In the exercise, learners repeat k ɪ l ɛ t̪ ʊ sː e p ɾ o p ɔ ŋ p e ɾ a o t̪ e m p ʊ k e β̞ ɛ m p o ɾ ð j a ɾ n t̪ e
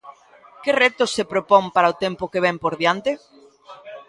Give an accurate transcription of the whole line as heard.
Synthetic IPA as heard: k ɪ r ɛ t̪ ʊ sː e p ɾ o p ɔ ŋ p a ɾ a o t̪ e m p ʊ k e β̞ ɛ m p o ɾ ð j a n t̪ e